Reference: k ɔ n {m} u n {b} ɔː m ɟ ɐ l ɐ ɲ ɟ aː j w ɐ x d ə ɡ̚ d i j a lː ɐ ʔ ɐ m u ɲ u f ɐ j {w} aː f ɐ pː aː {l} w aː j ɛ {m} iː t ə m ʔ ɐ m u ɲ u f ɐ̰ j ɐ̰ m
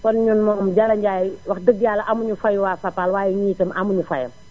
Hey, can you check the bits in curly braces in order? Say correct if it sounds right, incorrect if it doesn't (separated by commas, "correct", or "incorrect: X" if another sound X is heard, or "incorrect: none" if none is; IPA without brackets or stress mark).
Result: incorrect: ɲ, incorrect: m, correct, correct, incorrect: ɲ